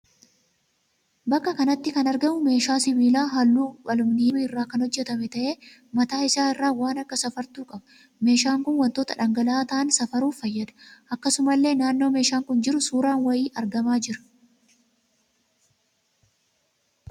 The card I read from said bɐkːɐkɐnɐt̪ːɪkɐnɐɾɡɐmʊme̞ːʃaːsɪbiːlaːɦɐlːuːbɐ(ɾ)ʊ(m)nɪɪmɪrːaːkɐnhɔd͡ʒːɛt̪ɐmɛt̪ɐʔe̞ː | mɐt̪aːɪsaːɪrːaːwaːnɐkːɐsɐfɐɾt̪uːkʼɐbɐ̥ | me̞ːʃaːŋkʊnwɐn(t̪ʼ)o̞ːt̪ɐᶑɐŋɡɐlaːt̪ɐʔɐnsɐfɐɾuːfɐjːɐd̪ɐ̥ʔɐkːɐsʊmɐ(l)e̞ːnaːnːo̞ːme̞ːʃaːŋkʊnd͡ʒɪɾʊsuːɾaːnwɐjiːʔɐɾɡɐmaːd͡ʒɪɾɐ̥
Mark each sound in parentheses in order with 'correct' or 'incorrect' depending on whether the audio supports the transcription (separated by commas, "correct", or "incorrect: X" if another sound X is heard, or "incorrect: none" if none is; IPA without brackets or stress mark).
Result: incorrect: l, correct, incorrect: t̪, incorrect: lː